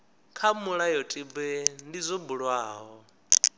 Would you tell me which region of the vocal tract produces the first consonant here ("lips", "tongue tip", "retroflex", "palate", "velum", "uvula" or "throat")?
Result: velum